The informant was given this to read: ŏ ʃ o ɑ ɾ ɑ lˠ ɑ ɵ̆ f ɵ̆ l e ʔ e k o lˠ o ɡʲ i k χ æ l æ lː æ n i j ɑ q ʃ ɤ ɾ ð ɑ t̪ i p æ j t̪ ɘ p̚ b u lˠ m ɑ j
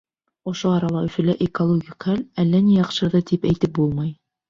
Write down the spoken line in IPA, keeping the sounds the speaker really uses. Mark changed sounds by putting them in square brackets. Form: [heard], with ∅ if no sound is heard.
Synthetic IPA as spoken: ŏ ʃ o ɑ ɾ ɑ lˠ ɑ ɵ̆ f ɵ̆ l [æ] ʔ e k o lˠ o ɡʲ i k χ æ l æ lː æ n i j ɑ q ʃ ɤ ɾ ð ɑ t̪ i p æ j t̪ ɘ p̚ b u lˠ m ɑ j